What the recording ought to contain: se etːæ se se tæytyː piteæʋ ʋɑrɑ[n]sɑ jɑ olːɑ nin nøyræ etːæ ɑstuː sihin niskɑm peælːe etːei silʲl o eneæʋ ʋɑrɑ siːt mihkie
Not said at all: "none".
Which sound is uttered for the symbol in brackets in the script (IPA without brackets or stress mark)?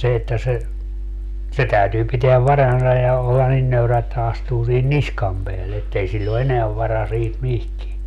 n